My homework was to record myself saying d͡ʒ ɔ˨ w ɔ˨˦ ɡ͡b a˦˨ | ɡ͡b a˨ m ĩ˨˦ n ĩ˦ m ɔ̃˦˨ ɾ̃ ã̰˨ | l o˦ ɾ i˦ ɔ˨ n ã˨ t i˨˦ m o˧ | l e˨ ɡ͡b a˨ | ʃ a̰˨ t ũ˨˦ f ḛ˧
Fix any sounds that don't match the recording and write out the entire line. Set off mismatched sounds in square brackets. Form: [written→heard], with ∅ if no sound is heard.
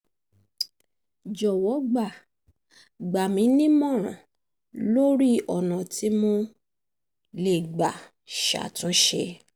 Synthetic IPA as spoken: d͡ʒ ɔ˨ w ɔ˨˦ ɡ͡b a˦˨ | ɡ͡b a˨ m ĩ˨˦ n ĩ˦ m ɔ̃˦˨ ɾ̃ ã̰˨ | l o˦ ɾ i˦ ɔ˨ n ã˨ t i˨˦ m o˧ | l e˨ ɡ͡b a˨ | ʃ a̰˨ t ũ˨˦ [f→ʃ] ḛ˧